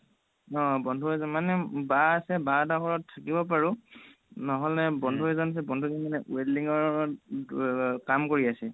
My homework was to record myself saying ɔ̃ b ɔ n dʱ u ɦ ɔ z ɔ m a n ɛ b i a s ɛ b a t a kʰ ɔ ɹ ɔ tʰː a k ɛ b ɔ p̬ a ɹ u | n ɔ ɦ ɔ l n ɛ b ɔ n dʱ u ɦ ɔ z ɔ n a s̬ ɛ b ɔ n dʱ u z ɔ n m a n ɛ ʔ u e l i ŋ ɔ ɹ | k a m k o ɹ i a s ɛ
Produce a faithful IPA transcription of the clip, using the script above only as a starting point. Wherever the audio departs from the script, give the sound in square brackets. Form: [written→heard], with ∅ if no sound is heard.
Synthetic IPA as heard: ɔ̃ b ɔ n dʱ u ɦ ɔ z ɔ m a n ɛ b [i→a] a s ɛ b a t a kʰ ɔ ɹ ɔ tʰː a k [ɛ→i] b ɔ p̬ a ɹ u | n ɔ ɦ ɔ l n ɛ b ɔ n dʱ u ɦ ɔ z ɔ n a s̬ ɛ b ɔ n dʱ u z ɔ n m a n ɛ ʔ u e l i ŋ ɔ ɹ | k a m k o ɹ i a s ɛ